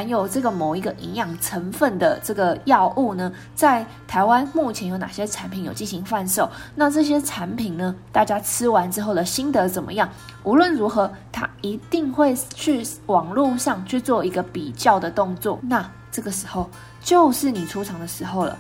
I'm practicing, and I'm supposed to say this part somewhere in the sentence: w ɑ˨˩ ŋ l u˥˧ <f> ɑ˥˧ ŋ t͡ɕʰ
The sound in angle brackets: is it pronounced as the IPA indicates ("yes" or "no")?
no